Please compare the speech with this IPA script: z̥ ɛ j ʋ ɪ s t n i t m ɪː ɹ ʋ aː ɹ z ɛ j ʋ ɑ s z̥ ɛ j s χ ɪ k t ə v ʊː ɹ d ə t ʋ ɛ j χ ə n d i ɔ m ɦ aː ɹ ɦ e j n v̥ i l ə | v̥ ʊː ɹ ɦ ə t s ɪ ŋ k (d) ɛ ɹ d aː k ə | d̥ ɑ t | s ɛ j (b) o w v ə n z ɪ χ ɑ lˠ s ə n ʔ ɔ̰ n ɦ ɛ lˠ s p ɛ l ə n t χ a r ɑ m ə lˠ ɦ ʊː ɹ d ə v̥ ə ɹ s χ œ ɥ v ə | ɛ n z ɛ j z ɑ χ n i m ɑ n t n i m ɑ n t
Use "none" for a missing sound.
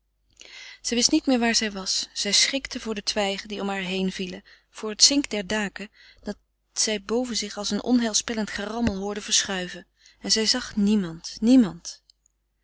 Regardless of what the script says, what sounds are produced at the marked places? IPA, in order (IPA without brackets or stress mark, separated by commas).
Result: d, b